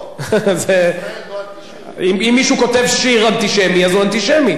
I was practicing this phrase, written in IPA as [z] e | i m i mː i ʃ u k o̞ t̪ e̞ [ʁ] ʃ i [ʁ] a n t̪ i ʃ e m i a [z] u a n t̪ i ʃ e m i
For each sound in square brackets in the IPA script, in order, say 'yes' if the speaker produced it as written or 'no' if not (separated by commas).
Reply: yes, no, yes, yes